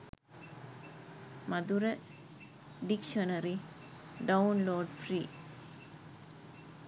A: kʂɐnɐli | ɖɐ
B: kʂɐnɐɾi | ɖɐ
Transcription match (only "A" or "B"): B